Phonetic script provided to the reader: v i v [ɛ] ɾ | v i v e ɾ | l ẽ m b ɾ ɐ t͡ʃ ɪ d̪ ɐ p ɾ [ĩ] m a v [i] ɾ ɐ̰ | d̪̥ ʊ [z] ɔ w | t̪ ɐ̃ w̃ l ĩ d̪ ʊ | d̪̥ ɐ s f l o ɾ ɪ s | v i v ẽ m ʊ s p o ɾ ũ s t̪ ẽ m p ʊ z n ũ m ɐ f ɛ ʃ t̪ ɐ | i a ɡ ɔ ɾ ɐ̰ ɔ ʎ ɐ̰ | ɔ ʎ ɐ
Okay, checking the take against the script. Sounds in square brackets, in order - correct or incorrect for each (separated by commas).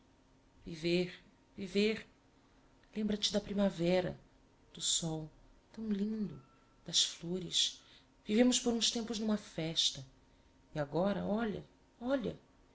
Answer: incorrect, incorrect, incorrect, incorrect